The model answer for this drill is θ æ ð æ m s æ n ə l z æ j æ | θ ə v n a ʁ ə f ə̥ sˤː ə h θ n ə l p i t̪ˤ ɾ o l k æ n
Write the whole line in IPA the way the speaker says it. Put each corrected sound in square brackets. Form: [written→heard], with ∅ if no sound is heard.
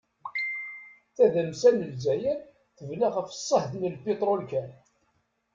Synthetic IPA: θ æ ð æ m s æ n ə l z æ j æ | θ ə v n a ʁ ə f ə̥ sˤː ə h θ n ə l p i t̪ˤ ɾ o l k æ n